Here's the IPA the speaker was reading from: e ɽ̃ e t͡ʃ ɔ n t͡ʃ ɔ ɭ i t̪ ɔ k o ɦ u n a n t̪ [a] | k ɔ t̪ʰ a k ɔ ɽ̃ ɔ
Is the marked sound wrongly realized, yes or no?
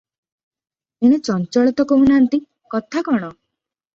yes